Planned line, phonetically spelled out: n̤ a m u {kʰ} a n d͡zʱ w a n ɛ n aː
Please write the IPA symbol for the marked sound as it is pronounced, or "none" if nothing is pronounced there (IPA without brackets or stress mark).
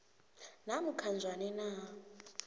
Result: kʰ